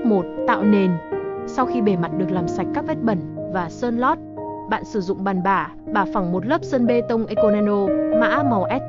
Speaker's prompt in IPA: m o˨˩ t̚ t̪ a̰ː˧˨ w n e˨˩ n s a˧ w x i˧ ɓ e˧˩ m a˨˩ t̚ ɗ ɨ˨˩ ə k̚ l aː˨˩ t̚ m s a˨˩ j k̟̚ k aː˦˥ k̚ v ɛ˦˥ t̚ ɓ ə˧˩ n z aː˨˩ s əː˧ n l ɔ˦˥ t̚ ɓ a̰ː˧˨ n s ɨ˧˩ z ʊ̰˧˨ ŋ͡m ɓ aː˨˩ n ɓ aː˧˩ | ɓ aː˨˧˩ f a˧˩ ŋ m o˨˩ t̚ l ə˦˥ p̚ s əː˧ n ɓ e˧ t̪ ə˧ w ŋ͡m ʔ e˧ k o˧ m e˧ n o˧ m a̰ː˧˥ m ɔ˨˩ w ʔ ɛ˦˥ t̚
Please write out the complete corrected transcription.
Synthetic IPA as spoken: m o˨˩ t̚ t̪ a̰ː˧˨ w n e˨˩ n s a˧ w x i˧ ɓ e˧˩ m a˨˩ t̚ ɗ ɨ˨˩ ə k̚ l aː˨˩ m s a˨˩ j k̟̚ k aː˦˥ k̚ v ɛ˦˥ t̚ ɓ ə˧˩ n v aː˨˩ s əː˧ n l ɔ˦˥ t̚ ɓ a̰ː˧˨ n s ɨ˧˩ z ʊ̰˧˨ ŋ͡m ɓ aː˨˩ n ɓ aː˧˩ | ɓ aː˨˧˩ f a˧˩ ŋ m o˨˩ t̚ l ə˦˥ p̚ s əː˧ n ɓ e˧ t̪ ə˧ w ŋ͡m ʔ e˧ k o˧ n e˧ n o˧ m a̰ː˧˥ m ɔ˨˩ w ʔ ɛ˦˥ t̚

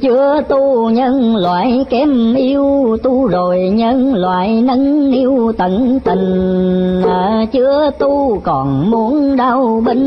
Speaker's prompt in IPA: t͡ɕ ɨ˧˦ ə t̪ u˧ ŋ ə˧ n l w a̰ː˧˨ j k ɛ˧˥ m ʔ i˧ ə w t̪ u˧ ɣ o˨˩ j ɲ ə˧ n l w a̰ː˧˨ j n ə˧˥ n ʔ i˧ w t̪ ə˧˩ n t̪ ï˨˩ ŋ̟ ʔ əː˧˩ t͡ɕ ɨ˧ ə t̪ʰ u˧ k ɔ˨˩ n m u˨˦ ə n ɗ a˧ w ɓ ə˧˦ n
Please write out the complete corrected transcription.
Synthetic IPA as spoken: t͡ɕ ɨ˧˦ ə t̪ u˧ ɲ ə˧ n l w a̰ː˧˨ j k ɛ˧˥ m ʔ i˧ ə w t̪ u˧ z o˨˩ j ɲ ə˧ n l w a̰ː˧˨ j n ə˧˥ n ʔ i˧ w t̪ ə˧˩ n t̪ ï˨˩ ŋ̟ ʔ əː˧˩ t͡ɕ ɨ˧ ə t̪ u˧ k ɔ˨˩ n m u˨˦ ə n ɗ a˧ w ɓ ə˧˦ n

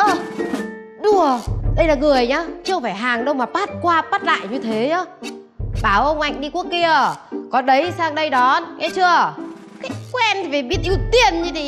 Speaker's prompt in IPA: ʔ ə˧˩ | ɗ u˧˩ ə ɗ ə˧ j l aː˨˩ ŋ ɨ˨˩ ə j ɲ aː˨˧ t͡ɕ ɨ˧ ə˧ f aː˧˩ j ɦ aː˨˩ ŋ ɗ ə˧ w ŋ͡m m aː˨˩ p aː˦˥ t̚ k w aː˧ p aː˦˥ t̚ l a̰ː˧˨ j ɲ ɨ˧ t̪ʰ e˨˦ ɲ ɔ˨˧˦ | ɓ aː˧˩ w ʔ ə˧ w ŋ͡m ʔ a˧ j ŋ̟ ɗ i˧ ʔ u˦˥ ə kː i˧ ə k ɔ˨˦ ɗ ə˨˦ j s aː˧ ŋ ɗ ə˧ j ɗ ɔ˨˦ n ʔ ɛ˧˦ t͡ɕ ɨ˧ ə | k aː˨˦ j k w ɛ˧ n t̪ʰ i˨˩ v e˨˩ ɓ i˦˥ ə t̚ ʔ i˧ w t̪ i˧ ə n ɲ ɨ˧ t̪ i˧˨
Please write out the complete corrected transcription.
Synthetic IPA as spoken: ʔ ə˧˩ | ɗ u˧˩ ə ɗ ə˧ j l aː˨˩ ŋ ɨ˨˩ ə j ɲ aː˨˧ t͡ɕ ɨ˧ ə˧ f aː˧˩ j ɦ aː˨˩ ŋ ɗ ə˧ w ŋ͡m m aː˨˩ p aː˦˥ t̚ k w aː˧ p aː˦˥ t̚ l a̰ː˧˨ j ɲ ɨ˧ t̪ʰ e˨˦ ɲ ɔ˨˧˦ | ɓ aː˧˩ w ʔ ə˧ w ŋ͡m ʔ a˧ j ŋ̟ ɗ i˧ k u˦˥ ə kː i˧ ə k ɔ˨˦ ɗ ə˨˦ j s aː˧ ŋ ɗ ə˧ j ɗ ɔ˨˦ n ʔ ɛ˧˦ t͡ɕ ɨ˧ ə | k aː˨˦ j k w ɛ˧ n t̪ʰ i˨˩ v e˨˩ ɓ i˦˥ ə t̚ ʔ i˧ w t̪ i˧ ə n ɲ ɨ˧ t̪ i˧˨

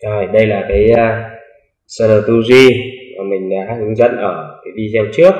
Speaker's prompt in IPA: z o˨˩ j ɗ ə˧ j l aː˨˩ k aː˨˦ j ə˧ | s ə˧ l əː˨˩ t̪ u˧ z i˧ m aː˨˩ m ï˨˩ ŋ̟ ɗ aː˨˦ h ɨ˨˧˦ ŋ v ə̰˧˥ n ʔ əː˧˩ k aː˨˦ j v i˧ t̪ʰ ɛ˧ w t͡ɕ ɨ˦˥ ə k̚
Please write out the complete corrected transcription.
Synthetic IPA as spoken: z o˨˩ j ɗ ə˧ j l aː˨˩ k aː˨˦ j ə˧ | s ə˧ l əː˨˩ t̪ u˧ z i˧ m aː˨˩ m ï˨˩ ŋ̟ ɗ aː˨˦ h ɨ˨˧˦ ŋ z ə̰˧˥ n ʔ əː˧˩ k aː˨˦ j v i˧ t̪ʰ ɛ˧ w t͡ɕ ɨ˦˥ ə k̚

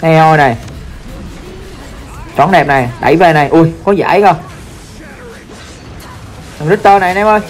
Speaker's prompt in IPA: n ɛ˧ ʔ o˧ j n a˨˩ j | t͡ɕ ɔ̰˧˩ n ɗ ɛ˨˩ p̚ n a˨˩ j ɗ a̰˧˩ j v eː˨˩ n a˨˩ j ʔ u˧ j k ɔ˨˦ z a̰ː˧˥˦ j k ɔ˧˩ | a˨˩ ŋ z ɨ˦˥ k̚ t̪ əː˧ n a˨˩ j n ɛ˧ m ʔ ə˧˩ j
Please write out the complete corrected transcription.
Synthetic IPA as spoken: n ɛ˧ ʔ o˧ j n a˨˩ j | t͡ɕ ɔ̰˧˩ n ɗ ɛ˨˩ p̚ n a˨˩ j ɗ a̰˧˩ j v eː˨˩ n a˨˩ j ʔ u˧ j k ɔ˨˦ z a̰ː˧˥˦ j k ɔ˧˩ | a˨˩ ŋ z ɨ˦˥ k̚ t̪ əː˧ n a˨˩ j n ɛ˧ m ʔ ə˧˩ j

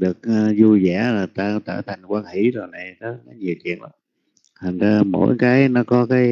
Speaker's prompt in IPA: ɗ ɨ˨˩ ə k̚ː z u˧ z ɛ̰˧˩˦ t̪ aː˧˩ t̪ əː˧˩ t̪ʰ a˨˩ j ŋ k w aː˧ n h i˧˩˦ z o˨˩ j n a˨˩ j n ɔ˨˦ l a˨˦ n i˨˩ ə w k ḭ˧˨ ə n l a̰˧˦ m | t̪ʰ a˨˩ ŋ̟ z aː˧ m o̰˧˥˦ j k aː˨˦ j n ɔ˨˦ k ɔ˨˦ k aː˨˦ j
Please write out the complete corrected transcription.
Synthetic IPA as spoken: ɗ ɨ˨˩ ə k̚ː z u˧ z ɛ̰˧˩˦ t̪ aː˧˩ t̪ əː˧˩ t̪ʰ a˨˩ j ŋ k w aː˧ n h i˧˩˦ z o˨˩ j n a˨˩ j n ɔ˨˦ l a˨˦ ɲ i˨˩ ə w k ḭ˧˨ ə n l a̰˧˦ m | t̪ʰ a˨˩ ŋ̟ z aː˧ m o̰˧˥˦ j k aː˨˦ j n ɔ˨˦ k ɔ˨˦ k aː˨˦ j

